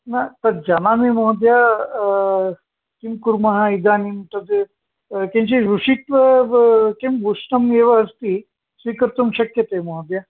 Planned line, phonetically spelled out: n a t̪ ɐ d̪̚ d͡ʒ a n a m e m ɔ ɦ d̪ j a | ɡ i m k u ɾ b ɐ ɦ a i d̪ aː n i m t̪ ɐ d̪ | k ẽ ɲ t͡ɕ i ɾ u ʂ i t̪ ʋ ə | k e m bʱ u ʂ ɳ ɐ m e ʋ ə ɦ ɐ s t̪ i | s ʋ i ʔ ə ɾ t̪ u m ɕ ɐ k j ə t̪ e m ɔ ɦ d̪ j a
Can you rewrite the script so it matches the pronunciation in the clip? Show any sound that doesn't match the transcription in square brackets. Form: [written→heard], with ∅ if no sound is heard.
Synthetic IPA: n a t̪ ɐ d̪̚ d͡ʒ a n a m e m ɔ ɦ d̪ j a | [ɡ→k] i m k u ɾ [b→m] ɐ ɦ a i d̪ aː n i m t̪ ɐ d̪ | k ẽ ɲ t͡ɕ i ɾ u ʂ i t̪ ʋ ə | k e m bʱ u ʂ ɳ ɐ m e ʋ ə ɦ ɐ s t̪ i | s ʋ i [ʔ→k] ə ɾ t̪ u m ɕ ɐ k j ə t̪ e m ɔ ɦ d̪ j a